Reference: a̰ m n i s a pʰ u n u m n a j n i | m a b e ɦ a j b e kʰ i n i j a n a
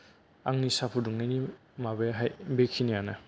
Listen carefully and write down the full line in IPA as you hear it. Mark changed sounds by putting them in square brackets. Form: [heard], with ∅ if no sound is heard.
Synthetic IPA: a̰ [ŋ] n i s a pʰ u [d] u [ŋ] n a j n i | m a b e ɦ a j b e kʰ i n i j a n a